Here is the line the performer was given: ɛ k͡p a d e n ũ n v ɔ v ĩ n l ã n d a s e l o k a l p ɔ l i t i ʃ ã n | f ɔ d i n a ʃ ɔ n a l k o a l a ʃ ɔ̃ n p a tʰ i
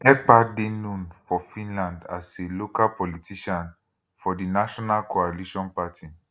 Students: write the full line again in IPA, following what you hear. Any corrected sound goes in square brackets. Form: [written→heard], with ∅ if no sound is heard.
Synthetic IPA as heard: ɛ k͡p a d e n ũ n [v→f] ɔ [v→f] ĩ n l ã n d a s e l o k a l p ɔ l i t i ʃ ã n | f ɔ d i n a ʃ ɔ n a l k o a l [a→i] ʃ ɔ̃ n p a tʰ i